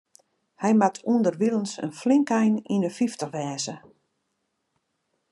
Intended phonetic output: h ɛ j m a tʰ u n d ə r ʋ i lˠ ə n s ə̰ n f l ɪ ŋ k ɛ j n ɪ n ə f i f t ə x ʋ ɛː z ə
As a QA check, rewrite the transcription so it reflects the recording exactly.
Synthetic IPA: h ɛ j m a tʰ u n d ə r ʋ i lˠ ə n s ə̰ n f l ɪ ŋ k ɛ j n i n ə f i f t ə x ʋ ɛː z ə